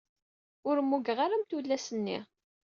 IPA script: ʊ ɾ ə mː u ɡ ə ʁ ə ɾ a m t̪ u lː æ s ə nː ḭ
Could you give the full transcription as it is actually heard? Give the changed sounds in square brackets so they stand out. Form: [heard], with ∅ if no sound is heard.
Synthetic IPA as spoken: ʊ ɾ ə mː u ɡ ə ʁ [a] ɾ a m t̪ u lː æ s ə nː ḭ